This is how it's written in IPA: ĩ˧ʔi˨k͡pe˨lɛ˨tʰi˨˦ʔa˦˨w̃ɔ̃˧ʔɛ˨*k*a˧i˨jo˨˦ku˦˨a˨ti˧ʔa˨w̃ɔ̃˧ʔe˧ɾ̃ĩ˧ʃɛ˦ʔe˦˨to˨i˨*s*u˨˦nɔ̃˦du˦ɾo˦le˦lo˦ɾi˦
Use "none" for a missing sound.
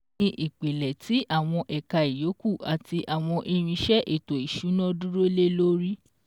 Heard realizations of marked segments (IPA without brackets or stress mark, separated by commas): k, ʃ